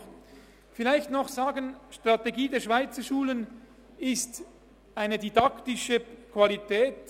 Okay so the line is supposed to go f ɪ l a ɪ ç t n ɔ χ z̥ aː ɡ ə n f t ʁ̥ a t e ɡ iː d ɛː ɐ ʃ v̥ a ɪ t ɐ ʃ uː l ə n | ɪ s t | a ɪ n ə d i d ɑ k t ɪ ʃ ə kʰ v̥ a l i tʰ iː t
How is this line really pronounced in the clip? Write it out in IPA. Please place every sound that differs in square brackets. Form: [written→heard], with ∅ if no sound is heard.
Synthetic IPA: f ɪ l a ɪ ç t n ɔ χ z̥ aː ɡ ə n [f→ʃ] t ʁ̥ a t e ɡ iː d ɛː ɐ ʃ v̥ a ɪ [t→t͡s] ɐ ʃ uː l ə n | ɪ s t | a ɪ n ə d i d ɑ k t ɪ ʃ ə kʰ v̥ a l i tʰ [iː→ɛː] t